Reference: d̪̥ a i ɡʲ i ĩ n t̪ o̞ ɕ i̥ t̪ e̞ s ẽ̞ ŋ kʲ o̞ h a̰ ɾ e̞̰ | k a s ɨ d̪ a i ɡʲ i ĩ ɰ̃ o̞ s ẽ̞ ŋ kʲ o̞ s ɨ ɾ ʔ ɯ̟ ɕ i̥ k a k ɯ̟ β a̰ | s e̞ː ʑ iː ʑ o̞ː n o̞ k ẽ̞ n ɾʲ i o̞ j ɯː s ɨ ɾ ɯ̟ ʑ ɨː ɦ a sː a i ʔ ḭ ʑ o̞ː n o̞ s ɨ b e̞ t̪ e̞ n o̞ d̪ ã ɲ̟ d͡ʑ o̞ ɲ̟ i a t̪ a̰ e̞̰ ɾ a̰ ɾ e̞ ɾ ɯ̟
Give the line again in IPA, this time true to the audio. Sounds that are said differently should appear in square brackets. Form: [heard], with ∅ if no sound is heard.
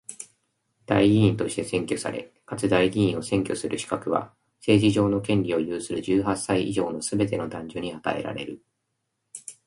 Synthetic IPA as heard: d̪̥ a i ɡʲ i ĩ n t̪ o̞ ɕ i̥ t̪ e̞ s ẽ̞ ŋ kʲ o̞ [s] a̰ ɾ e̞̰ | k a [t͡s] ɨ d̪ a i ɡʲ i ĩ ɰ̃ o̞ s ẽ̞ ŋ kʲ o̞ s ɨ ɾ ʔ ɯ̟ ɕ i̥ k a k ɯ̟ β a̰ | s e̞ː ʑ [i] ʑ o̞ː n o̞ k ẽ̞ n ɾʲ i o̞ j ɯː s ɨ ɾ ɯ̟ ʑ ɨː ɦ a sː a i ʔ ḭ ʑ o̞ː n o̞ s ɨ b e̞ t̪ e̞ n o̞ d̪ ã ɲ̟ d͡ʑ o̞ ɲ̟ i a t̪ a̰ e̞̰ ɾ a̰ ɾ e̞ ɾ ɯ̟